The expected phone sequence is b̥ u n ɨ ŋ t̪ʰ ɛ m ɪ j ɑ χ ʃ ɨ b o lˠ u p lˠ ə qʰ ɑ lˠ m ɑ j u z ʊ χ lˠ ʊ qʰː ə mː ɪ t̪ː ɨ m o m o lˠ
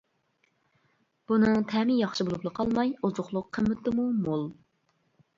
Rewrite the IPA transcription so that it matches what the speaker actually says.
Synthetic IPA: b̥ u n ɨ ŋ t̪ʰ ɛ m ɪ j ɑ χ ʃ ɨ b o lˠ u p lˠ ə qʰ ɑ lˠ m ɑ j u z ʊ χ lˠ ʊ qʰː ə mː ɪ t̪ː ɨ m u m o lˠ